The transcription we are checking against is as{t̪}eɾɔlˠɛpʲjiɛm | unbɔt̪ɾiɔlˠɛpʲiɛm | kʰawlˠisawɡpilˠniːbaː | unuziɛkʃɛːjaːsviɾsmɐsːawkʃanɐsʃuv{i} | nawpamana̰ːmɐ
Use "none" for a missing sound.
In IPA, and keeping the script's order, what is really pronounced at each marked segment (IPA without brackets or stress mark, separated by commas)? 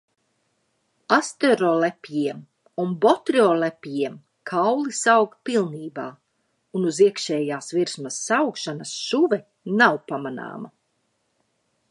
t̪, ɛ